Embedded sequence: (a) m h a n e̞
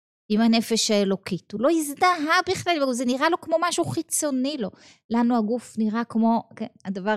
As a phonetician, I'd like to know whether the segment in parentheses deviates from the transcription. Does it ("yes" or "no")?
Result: yes